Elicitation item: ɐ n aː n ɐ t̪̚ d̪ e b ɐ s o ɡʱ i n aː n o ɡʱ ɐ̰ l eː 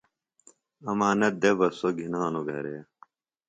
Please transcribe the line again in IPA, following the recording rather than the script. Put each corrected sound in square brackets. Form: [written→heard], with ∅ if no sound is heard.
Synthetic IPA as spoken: ɐ [n→m] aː n ɐ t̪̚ d̪ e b ɐ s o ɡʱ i n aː n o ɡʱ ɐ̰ [l→ɾ] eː